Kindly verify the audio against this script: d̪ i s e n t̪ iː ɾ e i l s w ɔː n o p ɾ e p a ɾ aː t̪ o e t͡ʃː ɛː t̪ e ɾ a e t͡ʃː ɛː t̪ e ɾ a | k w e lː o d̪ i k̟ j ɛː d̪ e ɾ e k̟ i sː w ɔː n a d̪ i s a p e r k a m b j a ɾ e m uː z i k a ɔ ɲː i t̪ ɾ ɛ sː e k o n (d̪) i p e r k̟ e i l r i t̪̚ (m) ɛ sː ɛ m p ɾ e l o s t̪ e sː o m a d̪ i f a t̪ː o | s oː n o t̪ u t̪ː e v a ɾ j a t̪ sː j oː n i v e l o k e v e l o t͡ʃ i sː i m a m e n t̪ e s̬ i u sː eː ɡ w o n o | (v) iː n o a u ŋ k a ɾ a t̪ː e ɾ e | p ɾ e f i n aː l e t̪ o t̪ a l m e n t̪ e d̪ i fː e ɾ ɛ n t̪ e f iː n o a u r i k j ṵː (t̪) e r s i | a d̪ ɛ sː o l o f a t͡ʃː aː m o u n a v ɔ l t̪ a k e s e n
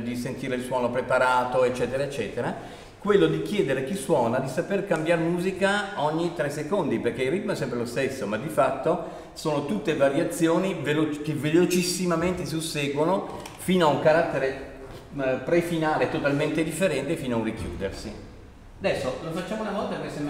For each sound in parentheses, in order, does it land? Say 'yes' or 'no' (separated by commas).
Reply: yes, yes, no, no